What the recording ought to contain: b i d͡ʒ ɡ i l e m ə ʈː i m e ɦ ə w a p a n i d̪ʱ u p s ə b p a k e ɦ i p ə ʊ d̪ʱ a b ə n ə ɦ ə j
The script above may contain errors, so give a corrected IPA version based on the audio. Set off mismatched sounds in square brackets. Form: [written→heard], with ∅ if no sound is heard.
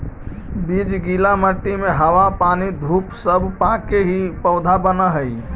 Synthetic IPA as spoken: b i d͡ʒ ɡ i l [e→a] m ə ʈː i m e ɦ ə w a p a n i d̪ʱ u p s ə b p a k e ɦ i p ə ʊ d̪ʱ a b ə n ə ɦ ə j